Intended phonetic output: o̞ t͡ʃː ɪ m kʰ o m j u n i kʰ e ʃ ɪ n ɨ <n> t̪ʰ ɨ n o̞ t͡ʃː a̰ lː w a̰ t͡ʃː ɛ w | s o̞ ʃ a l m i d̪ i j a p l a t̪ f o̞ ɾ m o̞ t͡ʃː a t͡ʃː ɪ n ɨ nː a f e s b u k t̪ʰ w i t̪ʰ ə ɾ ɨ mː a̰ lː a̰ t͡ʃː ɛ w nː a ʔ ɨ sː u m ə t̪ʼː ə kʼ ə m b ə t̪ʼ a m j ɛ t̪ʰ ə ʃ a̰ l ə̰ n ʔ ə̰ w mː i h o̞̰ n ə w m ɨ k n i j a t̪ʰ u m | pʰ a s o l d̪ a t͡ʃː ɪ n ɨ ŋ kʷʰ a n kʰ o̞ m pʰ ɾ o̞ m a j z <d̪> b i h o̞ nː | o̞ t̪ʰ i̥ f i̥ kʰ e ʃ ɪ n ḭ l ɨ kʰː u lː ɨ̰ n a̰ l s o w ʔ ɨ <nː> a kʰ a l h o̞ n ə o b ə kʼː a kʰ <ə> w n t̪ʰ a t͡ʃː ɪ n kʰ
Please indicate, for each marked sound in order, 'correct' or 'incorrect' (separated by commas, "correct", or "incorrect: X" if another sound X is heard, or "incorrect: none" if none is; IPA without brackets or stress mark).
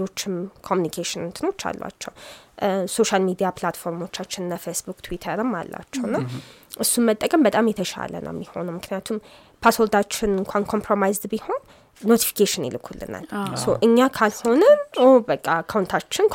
correct, correct, incorrect: ɲː, incorrect: a